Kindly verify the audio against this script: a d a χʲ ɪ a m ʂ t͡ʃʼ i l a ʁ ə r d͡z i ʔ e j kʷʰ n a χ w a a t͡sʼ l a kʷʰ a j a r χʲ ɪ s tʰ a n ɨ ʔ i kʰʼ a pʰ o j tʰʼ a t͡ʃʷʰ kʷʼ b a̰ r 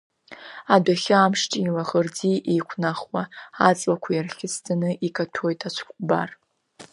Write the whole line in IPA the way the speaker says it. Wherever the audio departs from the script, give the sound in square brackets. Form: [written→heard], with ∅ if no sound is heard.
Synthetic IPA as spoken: a d a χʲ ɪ a m ʂ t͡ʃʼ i l a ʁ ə r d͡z i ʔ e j kʷʰ n a χ w a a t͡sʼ l a kʷʰ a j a r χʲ ɪ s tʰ a n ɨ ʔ i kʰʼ a [pʰ→tʰ] o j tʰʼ a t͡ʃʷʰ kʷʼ b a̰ r